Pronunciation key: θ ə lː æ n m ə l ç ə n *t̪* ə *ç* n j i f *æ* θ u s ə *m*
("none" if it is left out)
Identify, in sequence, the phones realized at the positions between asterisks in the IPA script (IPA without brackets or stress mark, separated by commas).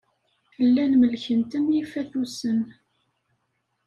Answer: t̪, none, æ, n